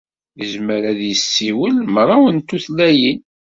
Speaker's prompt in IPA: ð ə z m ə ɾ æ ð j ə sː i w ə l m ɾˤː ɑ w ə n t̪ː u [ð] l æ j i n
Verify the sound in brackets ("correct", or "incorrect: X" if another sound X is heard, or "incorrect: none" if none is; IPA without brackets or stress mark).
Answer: incorrect: θ